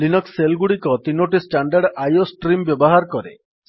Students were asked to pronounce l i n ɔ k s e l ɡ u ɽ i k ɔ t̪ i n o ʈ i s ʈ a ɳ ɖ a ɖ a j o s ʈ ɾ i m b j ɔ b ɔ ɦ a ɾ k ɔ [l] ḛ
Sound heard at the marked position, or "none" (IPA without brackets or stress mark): ɾ